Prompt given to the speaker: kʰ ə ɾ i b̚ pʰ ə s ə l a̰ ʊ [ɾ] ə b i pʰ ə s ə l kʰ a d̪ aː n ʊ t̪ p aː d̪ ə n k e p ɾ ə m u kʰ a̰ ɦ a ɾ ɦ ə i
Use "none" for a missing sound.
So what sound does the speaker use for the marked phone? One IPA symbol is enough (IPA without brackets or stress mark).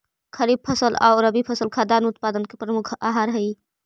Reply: ɾ